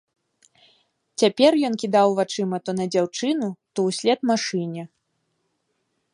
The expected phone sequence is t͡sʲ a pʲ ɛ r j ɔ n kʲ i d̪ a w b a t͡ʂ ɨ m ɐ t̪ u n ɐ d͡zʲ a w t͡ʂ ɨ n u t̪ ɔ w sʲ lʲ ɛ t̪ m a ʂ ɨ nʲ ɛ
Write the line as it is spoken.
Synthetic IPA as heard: t͡sʲ a pʲ ɛ r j ɔ n kʲ i d̪ a w v a t͡ʂ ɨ m ɐ t̪ ɔ n ɐ d͡zʲ a w t͡ʂ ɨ n u t̪ ɔ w sʲ lʲ ɛ t̪ m a ʂ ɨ nʲ ɛ